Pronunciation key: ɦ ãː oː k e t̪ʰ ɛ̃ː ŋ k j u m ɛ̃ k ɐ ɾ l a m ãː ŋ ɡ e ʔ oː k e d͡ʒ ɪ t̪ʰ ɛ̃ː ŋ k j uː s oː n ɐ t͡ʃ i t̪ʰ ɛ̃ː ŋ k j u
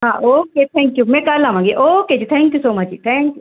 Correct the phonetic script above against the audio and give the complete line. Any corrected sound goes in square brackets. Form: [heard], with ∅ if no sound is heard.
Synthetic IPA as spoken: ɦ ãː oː k e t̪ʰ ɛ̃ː ŋ k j u m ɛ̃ k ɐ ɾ l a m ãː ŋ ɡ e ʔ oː k e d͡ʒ [i] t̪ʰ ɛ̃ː ŋ k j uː s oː [m] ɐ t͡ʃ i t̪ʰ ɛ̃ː ŋ k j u